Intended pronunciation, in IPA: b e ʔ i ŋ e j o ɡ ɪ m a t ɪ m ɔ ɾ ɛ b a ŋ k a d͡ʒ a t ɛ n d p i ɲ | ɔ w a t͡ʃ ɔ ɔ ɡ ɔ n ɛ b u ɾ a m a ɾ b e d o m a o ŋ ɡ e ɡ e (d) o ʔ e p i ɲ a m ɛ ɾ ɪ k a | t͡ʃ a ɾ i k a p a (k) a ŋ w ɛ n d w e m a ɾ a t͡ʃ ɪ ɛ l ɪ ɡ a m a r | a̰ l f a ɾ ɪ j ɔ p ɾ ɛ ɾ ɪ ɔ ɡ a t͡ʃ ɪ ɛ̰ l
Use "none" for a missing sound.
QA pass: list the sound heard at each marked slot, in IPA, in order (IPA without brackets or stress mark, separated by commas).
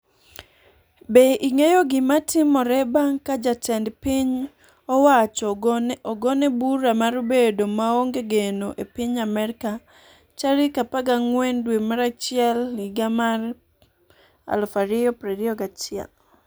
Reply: n, ɡ